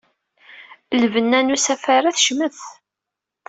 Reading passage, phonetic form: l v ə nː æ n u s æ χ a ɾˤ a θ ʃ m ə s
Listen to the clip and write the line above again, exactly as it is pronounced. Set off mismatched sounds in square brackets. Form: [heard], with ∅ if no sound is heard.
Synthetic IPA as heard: l v ə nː æ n u s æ [f] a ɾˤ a θ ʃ m ə [θ]